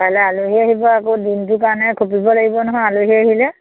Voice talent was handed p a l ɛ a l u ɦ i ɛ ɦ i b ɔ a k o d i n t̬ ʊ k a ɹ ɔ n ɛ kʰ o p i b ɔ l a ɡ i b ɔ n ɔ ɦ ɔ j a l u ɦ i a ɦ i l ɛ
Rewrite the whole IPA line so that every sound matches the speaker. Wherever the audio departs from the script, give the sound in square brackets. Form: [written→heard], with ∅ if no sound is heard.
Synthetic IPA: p a l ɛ a l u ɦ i [ɛ→a] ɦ i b ɔ a k o d i n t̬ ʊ k a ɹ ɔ n ɛ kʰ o p i b ɔ l a ɡ i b ɔ n ɔ ɦ ɔ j a l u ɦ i a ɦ i l ɛ